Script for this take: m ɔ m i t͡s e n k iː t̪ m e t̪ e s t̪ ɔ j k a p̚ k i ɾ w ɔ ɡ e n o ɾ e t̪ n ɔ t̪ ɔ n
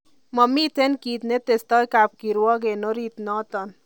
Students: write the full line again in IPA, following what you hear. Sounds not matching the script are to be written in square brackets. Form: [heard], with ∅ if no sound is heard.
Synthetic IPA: m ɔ m i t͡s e n k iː t̪ [n] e t̪ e s t̪ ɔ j k a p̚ k i ɾ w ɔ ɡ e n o ɾ [i] t̪ n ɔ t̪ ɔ n